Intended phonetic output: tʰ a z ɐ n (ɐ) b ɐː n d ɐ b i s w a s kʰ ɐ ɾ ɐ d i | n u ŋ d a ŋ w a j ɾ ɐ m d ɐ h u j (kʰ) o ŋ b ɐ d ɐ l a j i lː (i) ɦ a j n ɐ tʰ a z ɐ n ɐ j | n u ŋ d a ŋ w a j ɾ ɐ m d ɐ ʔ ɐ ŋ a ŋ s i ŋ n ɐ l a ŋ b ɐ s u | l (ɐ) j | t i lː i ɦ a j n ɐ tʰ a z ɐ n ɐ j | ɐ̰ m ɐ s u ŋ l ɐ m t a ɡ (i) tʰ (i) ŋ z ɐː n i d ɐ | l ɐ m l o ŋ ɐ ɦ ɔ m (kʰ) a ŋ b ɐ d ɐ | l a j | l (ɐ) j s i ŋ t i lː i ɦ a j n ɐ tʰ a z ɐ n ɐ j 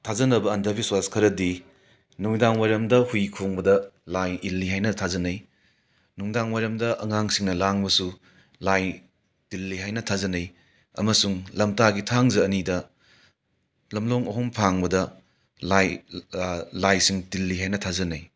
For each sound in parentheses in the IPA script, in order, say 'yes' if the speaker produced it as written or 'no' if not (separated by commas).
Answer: yes, yes, yes, no, yes, no, no, no